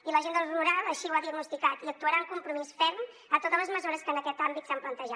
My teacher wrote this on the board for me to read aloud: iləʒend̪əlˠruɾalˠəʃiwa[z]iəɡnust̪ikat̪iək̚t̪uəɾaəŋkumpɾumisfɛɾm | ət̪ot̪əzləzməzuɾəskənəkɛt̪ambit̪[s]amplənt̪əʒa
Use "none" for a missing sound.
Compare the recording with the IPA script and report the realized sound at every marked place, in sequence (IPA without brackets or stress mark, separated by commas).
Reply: ð, s